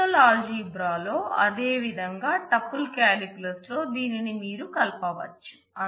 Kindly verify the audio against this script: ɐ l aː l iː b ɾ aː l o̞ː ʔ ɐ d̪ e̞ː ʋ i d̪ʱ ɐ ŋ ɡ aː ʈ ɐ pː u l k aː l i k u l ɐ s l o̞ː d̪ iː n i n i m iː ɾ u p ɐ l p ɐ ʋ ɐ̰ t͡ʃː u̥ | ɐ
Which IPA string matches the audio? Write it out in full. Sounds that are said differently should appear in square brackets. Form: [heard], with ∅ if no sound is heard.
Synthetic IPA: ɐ l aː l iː b ɾ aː l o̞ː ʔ ɐ d̪ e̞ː ʋ i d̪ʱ ɐ ŋ ɡ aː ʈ ɐ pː u l k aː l i k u l ɐ s l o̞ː d̪ iː n i n i m iː ɾ u [k] ɐ l p ɐ ʋ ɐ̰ t͡ʃː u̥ | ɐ

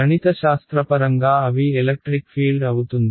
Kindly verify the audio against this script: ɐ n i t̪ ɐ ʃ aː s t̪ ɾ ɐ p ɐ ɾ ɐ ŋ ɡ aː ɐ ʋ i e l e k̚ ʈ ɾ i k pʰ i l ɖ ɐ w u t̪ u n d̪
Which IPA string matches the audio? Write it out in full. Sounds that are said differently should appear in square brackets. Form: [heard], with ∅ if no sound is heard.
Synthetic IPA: ɐ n i t̪ ɐ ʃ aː s t̪ ɾ ɐ p ɐ ɾ ɐ ŋ ɡ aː ɐ ʋ i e l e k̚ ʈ ɾ i k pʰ [iː] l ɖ ɐ w u t̪ u n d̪

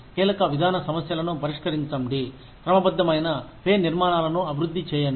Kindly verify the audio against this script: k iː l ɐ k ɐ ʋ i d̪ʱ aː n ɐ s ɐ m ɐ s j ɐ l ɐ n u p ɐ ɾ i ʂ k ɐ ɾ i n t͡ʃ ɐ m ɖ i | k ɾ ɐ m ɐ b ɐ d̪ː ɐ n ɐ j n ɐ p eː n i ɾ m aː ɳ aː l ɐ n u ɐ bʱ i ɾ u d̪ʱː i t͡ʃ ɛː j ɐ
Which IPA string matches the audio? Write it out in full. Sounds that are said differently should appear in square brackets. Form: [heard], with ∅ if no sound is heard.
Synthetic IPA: k iː l ɐ k ɐ ʋ i d̪ʱ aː n ɐ s ɐ m ɐ s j ɐ l ɐ n u p ɐ ɾ i ʂ k ɐ ɾ i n t͡ʃ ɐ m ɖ i | k ɾ ɐ m ɐ b ɐ d̪ː ɐ [m] ɐ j n ɐ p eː n i ɾ m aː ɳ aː l ɐ n u ɐ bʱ i ɾ u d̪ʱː i t͡ʃ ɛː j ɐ

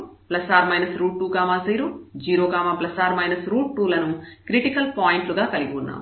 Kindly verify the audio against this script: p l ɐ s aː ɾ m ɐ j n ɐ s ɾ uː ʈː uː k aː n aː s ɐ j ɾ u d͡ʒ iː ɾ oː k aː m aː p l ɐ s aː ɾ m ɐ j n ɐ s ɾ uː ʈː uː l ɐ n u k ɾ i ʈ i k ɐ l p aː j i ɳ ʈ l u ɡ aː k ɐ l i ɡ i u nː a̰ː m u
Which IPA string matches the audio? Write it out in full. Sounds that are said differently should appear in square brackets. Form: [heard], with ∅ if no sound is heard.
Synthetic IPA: p l ɐ s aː ɾ m ɐ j n ɐ s ɾ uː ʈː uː k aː [m] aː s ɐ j ɾ u d͡ʒ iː ɾ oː k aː m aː p l ɐ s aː ɾ m ɐ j n ɐ s ɾ uː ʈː uː l ɐ n u k ɾ i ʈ i k ɐ l p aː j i ɳ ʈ l u ɡ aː k ɐ l i ɡ i u nː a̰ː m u

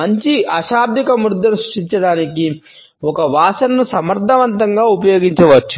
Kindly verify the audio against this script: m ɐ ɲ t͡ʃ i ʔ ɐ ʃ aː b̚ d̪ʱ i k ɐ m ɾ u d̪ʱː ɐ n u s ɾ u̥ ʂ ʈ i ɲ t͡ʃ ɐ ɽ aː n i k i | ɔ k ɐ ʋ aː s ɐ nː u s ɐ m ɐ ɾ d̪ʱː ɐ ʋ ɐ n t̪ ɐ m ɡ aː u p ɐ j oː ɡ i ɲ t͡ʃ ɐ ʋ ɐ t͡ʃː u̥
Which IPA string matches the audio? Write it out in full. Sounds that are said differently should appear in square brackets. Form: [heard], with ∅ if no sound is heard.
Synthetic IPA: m ɐ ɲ t͡ʃ i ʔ ɐ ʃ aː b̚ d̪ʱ i k ɐ m ɾ u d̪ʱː ɐ n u s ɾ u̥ ʂ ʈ i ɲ t͡ʃ ɐ ɽ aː n i k i | ɔ k ɐ ʋ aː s ɐ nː u s ɐ m ɐ ɾ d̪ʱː ɐ ʋ ɐ n t̪ ɐ [ŋ] ɡ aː u p ɐ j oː ɡ i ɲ t͡ʃ ɐ ʋ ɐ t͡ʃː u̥

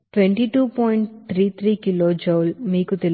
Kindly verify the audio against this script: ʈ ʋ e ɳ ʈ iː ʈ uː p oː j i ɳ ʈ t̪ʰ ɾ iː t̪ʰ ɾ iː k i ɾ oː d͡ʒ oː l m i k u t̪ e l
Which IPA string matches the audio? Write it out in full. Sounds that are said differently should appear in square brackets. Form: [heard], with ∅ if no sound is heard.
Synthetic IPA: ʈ ʋ e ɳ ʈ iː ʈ uː p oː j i ɳ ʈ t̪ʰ ɾ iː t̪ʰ ɾ iː k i [l] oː d͡ʒ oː l m [iː] k u t̪ e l

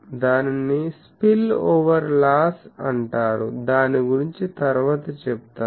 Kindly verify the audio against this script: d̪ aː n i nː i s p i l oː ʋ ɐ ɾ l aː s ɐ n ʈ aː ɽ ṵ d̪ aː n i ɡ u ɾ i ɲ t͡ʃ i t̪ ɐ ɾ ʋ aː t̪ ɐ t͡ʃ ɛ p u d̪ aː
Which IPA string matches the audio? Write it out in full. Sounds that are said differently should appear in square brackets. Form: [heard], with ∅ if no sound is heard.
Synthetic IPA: d̪ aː n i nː i s p i l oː ʋ ɐ ɾ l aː s ɐ [ɳ] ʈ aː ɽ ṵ d̪ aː n i ɡ u ɾ i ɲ t͡ʃ i t̪ ɐ ɾ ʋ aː t̪ ɐ t͡ʃ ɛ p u [t̪] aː

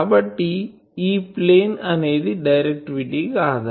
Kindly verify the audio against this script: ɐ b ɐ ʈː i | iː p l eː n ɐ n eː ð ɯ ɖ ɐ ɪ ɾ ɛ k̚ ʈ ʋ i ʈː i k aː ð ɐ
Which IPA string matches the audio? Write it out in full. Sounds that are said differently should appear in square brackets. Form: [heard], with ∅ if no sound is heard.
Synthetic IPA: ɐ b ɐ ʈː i | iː p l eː n ɐ n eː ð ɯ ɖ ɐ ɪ ɾ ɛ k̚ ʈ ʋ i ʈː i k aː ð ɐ

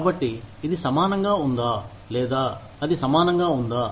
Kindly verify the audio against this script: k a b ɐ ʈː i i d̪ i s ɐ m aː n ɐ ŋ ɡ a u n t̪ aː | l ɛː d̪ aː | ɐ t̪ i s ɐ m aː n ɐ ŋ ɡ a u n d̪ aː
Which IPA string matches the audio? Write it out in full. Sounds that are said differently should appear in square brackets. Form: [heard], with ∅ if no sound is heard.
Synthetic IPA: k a b ɐ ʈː i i d̪ i s ɐ m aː n ɐ ŋ ɡ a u n [d̪] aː | l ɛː d̪ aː | ɐ [d̪] i s ɐ m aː n ɐ ŋ ɡ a u n d̪ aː

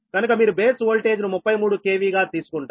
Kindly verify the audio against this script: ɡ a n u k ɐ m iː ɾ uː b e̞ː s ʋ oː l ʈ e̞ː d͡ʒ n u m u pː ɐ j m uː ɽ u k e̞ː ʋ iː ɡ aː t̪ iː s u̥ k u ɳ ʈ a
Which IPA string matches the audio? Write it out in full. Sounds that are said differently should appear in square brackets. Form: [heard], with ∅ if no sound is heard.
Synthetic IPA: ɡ [ɐ] n u k ɐ m iː ɾ [u] b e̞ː s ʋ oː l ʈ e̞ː d͡ʒ n u m u pː ɐ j m uː ɽ u k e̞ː ʋ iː ɡ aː t̪ iː s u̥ k u ɳ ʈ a

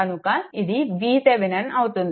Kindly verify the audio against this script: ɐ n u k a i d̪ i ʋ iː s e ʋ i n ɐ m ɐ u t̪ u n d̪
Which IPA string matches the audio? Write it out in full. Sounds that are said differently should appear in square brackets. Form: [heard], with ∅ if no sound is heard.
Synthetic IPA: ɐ n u k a i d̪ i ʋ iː s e ʋ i n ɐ [n] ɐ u t̪ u n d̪

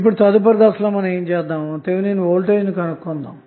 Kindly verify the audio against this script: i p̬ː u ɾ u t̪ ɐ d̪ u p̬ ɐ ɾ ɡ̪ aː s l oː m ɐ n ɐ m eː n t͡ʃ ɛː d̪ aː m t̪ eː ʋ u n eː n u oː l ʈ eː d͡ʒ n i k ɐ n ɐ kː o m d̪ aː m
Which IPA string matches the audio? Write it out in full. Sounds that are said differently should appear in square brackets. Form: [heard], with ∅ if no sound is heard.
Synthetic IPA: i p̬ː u [ɽ] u t̪ ɐ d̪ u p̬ ɐ ɾ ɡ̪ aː s l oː m ɐ n ɐ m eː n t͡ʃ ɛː d̪ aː m t̪ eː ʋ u n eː n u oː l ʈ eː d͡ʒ n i k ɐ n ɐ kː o [n] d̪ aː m

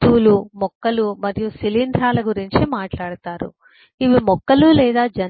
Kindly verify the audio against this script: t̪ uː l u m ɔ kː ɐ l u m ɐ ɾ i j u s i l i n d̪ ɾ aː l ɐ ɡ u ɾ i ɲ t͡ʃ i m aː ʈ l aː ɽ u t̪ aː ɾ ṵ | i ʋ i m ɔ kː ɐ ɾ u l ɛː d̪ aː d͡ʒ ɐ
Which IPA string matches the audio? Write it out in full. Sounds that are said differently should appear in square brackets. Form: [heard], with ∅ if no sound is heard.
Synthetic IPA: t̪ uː l u m ɔ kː ɐ l u m ɐ ɾ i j u s i l i n d̪ ɾ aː l ɐ ɡ u ɾ i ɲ t͡ʃ i m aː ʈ l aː ɽ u t̪ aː ɾ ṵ | i ʋ i m ɔ kː ɐ [l] u l ɛː d̪ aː d͡ʒ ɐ

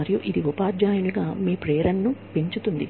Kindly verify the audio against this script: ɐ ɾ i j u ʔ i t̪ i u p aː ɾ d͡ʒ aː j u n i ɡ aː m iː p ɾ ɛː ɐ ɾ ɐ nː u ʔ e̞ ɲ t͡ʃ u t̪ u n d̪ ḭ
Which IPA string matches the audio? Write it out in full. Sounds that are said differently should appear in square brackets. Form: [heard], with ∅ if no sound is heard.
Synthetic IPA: ɐ ɾ i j u ʔ i [d̪] i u p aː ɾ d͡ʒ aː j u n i ɡ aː m iː p ɾ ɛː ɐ ɾ ɐ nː u [p] e̞ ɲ t͡ʃ u t̪ u n d̪ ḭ

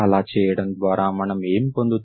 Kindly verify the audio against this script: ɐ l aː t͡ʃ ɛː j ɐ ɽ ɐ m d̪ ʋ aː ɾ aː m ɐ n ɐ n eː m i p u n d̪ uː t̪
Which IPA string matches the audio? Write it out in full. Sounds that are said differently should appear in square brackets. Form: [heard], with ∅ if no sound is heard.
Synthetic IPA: ɐ l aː t͡ʃ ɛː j ɐ ɽ ɐ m d̪ ʋ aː ɾ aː m ɐ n ɐ [m] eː m i p [o] n d̪ [u] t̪

